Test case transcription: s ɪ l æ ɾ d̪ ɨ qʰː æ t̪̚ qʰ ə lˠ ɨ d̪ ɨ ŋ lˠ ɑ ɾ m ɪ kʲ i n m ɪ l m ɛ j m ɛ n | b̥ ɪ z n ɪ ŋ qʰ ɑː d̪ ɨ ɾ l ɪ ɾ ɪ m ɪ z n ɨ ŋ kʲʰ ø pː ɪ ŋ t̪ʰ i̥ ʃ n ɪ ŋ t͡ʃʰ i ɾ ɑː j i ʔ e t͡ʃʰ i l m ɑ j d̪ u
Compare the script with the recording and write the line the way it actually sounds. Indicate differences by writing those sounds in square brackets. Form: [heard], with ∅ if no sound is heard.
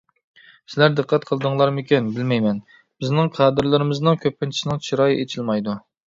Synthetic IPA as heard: s ɪ l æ ɾ d̪ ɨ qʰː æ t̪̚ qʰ ə lˠ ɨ d̪ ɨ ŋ lˠ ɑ ɾ m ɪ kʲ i n [b] ɪ l m ɛ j m ɛ n | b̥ ɪ z n ɪ ŋ qʰ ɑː d̪ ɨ ɾ l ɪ ɾ ɪ m ɪ z n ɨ ŋ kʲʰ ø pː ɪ [n] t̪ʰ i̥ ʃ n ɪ ŋ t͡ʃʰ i ɾ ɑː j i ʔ e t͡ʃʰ i l m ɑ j d̪ u